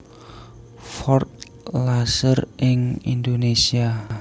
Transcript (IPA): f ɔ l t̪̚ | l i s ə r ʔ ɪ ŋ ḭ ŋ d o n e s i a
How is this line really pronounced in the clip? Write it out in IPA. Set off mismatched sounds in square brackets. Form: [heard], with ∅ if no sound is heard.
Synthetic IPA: f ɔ [r] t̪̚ | l [a] s ə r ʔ ɪ ŋ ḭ [n] d o n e s i a